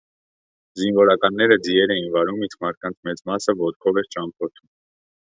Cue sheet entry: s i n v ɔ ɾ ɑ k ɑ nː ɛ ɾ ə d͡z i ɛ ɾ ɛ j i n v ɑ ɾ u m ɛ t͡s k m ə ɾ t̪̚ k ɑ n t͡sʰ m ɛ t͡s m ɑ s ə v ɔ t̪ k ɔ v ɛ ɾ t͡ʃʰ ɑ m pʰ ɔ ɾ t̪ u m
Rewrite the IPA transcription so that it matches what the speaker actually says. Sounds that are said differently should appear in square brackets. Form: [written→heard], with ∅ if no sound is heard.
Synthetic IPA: [s→z] i n v ɔ ɾ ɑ k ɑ nː ɛ ɾ ə d͡z i ɛ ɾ ɛ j i n v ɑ ɾ u m [ɛ→i] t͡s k m [ə→ɑ] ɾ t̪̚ k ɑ n t͡sʰ m ɛ t͡s m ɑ s ə v ɔ t̪ [k→kʰ] ɔ v ɛ ɾ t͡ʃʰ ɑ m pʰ ɔ ɾ [t̪→t̪ʰ] u m